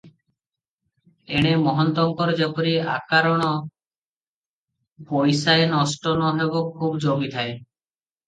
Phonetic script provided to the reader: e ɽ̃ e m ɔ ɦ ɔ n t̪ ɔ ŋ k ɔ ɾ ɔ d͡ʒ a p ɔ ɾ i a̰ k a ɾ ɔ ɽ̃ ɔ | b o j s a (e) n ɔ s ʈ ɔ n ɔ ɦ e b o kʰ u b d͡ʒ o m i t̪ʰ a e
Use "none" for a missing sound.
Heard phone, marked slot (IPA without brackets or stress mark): e